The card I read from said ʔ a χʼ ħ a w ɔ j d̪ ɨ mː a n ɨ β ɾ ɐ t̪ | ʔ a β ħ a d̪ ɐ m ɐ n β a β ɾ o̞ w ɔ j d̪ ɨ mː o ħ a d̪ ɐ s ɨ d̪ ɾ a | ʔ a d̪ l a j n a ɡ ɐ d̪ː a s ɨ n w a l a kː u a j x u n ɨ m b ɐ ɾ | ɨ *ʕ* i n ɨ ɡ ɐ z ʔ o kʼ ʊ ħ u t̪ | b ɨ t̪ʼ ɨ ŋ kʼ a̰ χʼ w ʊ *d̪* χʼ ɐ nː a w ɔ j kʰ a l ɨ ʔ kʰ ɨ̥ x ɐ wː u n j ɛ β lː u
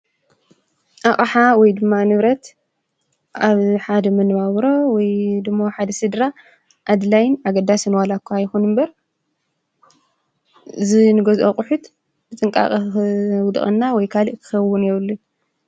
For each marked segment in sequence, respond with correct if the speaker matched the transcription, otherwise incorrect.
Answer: incorrect: z, correct

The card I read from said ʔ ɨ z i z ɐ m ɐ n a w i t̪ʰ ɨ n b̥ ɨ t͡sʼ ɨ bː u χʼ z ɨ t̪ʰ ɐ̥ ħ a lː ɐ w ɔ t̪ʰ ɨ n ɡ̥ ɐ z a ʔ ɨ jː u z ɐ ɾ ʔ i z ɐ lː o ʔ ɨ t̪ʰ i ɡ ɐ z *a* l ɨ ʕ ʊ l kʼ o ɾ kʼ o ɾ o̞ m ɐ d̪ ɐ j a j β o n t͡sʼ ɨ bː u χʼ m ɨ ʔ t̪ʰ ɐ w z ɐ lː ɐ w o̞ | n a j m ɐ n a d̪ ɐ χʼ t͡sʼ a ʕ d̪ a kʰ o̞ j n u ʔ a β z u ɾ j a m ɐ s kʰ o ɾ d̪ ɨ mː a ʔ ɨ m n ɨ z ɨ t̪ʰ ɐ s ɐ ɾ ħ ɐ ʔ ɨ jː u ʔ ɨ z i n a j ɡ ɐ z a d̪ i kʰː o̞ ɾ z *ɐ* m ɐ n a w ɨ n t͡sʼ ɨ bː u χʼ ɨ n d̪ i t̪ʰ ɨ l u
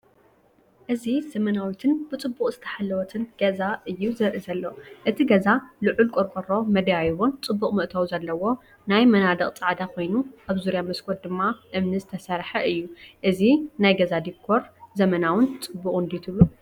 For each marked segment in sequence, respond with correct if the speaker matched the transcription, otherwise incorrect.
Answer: correct, correct

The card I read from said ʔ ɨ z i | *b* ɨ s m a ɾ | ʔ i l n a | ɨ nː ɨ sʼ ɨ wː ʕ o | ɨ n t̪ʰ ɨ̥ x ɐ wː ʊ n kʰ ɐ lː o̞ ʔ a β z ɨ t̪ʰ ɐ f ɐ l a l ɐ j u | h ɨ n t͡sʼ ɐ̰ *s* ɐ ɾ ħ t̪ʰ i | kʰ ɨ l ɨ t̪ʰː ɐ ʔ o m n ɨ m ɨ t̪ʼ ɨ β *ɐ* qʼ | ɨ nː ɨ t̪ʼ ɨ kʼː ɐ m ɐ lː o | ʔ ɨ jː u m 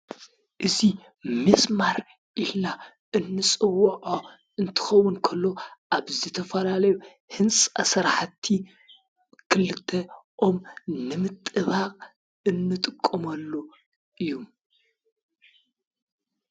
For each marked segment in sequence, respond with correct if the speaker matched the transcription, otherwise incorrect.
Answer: incorrect: m, correct, incorrect: a

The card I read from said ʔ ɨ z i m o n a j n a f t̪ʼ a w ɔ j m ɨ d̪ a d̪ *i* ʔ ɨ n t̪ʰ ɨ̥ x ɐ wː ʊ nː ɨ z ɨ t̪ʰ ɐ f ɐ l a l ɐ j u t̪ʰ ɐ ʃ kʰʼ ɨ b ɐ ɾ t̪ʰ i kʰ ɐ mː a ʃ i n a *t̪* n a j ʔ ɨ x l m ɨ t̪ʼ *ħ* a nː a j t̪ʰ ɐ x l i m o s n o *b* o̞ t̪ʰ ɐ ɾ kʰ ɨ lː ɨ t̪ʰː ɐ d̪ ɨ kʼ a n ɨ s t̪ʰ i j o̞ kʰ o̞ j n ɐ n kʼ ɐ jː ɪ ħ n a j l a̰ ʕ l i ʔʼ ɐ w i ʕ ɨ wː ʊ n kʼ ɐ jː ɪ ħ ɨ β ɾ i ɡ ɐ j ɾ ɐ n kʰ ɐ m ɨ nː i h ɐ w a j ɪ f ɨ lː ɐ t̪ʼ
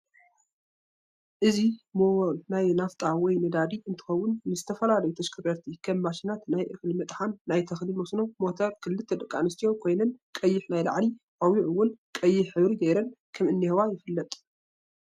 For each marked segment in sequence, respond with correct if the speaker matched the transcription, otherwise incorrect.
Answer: correct, correct, correct, incorrect: m

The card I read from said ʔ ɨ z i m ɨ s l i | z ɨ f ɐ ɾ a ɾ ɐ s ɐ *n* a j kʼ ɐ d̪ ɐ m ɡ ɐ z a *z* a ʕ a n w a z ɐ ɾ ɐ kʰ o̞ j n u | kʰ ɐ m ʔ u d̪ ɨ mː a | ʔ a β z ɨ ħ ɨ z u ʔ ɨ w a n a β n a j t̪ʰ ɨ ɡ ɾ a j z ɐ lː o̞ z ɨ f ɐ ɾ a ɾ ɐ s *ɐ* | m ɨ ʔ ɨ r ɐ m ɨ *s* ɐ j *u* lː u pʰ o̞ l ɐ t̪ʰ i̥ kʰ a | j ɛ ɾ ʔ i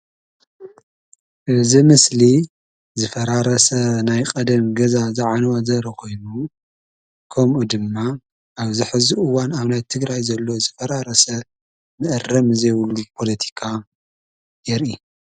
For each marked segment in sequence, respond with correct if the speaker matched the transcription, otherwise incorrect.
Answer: correct, correct, correct, incorrect: z, incorrect: w

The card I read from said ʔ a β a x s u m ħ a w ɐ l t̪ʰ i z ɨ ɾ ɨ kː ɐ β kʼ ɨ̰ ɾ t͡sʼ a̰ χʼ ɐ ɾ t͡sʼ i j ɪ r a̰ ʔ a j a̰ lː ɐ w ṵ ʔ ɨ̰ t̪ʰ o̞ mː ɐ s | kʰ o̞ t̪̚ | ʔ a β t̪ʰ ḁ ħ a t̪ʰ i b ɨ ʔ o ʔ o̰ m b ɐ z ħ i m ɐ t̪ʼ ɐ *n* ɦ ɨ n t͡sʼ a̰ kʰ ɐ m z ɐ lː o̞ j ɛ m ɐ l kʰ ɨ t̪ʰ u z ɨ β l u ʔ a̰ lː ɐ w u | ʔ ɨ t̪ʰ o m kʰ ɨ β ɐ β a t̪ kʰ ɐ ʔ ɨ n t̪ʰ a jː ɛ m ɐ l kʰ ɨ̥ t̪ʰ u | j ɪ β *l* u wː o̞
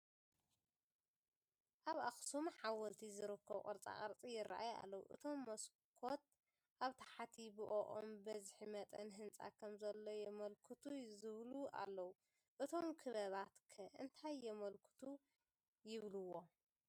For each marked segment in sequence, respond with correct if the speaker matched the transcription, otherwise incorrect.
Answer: correct, correct

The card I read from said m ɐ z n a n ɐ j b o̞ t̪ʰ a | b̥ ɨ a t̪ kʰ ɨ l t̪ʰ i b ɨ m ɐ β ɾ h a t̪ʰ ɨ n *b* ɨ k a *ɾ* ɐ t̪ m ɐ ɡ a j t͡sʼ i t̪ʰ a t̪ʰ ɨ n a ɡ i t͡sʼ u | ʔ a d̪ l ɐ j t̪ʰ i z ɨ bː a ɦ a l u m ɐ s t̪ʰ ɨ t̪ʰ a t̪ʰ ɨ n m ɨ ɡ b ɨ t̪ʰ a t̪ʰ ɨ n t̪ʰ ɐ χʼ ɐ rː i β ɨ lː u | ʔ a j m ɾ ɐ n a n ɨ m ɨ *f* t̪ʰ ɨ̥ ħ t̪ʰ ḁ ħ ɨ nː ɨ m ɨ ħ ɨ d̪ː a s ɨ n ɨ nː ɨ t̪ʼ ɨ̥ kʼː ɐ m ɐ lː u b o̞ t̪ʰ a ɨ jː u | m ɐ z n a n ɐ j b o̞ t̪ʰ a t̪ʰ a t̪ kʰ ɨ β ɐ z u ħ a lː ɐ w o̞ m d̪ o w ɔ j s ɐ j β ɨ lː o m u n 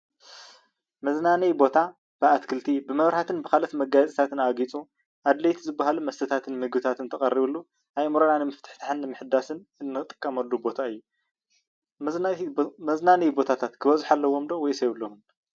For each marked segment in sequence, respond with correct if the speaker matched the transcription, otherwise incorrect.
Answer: correct, incorrect: l, correct

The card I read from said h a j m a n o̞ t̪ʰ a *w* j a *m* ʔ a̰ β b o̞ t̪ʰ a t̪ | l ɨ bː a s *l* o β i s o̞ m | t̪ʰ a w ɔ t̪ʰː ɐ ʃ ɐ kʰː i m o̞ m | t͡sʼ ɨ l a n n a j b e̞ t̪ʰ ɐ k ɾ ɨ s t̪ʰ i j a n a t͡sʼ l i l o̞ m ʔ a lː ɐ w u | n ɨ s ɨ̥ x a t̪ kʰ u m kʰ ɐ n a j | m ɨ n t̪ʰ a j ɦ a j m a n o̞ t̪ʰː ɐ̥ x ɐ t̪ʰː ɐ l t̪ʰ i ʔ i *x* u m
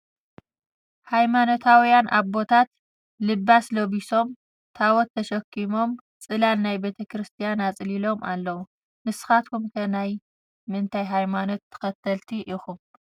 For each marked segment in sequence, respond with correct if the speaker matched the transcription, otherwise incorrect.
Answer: correct, incorrect: n, correct, correct

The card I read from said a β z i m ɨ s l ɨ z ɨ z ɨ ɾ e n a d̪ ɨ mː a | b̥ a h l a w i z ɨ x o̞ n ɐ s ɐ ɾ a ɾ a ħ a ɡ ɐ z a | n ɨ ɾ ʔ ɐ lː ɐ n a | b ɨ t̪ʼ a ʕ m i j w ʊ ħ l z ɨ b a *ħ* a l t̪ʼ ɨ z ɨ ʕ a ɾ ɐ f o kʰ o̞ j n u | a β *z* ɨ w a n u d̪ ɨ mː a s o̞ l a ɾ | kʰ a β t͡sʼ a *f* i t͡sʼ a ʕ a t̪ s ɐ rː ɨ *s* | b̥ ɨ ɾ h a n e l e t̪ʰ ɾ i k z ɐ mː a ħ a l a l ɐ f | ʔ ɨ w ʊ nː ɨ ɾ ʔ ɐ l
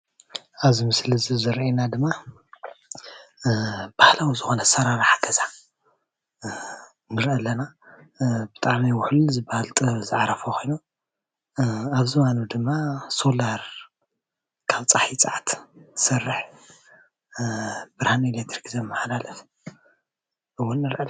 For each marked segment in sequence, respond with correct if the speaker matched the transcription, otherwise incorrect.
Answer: incorrect: h, correct, incorrect: ħ, incorrect: ħ

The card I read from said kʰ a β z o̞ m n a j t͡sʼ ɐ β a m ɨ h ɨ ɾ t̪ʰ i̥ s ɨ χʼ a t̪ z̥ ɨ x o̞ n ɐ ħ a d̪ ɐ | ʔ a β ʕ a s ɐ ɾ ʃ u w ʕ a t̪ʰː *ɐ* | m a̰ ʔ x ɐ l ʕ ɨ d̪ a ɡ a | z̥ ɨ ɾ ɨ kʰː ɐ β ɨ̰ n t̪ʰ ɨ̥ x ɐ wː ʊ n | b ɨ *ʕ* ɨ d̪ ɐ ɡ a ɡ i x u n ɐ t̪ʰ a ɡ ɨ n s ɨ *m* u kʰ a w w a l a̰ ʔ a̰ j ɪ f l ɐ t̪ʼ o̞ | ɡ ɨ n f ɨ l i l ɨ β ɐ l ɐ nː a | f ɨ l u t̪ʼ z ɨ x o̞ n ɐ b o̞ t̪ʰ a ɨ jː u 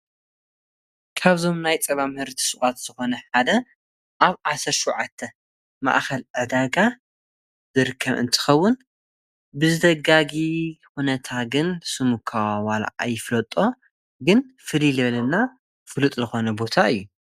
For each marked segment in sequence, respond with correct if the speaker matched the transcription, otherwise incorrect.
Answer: correct, incorrect: z, correct

